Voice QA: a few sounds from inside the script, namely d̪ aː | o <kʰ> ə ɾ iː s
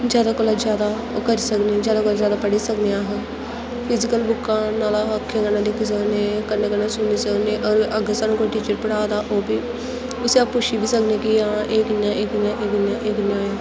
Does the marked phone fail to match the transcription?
yes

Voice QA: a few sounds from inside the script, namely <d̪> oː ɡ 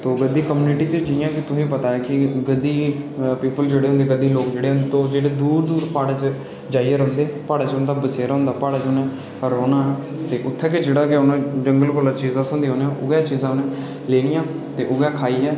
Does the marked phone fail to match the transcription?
yes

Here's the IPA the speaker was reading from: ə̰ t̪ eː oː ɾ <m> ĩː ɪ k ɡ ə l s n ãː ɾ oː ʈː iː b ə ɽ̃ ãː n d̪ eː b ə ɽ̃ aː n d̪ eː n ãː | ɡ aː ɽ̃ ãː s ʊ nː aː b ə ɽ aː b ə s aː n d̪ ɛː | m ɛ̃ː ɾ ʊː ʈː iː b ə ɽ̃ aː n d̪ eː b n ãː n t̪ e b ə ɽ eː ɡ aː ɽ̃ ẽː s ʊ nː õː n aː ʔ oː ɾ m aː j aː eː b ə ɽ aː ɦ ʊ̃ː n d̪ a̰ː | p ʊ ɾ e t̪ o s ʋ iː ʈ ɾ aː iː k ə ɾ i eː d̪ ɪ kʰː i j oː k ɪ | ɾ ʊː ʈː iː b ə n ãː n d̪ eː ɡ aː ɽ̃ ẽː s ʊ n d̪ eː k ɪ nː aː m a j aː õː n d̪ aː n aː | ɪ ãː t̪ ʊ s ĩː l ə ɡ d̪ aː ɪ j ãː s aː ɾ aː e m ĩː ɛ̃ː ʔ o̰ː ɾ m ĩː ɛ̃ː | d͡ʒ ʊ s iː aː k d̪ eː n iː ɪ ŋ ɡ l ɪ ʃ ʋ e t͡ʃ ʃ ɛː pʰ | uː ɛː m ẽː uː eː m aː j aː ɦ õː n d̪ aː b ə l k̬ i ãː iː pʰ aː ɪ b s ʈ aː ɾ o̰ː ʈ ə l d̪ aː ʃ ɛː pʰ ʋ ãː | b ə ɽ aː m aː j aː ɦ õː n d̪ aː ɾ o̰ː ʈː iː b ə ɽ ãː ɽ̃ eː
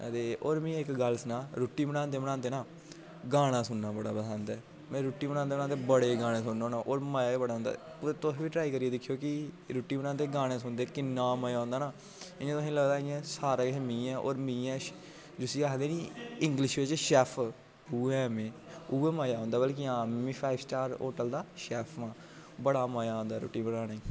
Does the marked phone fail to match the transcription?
no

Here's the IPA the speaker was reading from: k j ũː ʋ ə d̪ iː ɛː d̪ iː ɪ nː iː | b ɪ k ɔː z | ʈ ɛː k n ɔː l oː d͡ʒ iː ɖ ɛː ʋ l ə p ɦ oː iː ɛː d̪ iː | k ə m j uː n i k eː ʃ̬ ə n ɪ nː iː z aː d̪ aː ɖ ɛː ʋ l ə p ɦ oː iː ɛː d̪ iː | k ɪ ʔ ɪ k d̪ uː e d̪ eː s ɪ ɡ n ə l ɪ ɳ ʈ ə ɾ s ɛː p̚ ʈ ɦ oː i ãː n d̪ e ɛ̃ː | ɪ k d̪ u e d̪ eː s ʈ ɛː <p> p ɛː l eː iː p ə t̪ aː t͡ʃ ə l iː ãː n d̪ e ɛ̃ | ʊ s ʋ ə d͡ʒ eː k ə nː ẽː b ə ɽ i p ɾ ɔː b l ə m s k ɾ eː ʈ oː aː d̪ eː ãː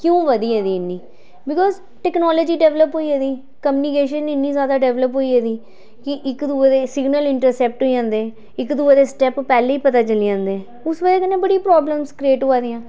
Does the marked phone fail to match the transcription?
no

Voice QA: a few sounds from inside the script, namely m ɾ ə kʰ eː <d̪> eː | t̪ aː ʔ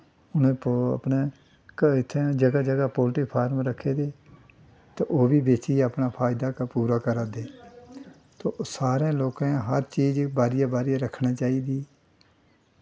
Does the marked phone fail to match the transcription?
no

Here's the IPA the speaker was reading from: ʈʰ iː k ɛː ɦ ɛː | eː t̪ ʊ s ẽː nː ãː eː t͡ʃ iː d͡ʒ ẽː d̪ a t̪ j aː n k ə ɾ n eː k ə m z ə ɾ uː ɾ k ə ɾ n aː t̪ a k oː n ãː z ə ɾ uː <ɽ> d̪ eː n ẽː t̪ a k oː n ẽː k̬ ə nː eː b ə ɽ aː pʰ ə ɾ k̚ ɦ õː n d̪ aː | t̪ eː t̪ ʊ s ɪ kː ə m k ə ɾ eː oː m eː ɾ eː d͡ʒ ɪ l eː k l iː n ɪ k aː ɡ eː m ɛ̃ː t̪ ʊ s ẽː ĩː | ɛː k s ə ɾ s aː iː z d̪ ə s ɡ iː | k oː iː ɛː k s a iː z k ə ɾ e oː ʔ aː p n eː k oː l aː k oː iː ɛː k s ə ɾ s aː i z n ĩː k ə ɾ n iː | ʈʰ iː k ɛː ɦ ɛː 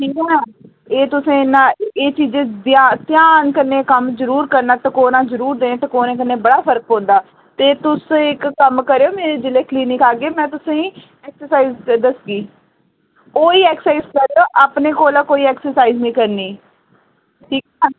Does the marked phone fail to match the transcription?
yes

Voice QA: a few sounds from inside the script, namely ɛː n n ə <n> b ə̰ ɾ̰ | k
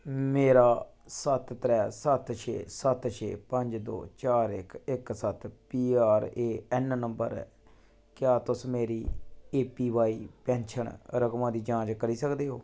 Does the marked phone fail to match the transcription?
yes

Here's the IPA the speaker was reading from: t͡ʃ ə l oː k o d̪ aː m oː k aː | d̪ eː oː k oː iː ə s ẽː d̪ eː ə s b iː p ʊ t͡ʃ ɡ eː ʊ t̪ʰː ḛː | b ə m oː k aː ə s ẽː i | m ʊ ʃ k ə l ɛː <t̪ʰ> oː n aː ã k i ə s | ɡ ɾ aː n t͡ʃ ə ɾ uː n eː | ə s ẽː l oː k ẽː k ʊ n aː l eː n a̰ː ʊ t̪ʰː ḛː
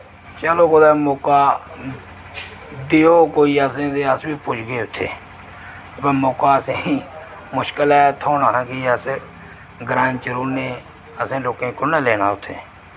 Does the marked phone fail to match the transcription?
no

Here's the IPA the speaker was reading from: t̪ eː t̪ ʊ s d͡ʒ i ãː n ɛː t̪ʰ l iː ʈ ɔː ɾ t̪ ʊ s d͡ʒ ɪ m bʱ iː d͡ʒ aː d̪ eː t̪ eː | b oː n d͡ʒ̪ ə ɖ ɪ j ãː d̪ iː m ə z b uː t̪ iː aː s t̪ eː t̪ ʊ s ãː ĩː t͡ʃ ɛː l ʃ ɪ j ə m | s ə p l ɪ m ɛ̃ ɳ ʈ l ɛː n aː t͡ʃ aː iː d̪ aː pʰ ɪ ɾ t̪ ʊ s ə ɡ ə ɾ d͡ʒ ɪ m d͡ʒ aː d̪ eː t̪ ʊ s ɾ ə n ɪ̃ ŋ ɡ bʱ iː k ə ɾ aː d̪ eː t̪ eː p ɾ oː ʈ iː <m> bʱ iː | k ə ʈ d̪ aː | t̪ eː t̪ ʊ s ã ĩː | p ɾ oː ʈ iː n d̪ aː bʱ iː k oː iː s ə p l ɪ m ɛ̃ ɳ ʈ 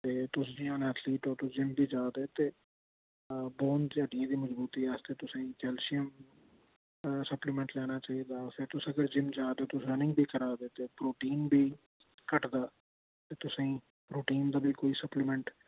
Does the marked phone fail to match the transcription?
yes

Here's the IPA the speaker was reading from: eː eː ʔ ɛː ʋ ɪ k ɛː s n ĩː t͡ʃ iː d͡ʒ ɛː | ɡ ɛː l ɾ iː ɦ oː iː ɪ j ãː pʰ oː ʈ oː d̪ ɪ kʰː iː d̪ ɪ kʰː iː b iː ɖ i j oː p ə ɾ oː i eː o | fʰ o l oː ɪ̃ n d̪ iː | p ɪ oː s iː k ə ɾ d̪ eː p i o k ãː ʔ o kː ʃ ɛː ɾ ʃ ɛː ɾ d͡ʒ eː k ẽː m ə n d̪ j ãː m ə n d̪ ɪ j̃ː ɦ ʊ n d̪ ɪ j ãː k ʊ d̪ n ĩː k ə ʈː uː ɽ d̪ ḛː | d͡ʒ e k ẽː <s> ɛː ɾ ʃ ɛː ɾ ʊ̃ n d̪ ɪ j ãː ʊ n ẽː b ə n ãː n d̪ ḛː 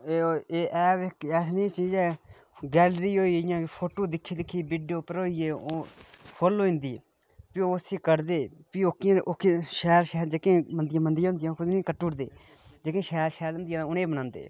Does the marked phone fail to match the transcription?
yes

